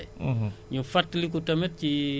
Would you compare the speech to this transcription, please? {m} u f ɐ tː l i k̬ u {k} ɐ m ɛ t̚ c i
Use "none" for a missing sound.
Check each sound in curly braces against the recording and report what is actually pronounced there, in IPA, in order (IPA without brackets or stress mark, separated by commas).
ɲ, t